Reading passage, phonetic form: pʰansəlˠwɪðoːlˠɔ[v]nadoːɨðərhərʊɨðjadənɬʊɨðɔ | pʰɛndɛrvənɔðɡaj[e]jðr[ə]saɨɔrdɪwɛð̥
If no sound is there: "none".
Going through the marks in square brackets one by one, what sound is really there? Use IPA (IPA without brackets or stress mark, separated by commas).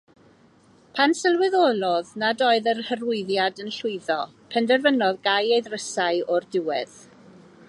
ð, e, ə